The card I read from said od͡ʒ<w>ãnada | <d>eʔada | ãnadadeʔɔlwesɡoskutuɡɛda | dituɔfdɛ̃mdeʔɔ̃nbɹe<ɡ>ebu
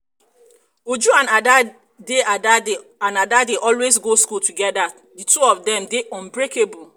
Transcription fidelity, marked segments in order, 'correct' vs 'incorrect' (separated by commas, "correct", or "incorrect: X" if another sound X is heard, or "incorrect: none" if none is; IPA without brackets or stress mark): incorrect: u, correct, incorrect: k